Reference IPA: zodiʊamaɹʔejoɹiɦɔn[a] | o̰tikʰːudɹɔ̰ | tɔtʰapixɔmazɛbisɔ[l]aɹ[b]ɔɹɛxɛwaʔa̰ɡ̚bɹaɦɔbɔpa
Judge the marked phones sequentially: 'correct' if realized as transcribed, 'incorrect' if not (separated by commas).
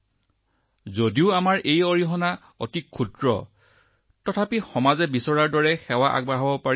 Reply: correct, incorrect, incorrect